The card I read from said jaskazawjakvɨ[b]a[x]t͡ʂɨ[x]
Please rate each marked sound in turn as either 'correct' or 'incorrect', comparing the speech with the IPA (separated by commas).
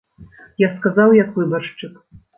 correct, incorrect, incorrect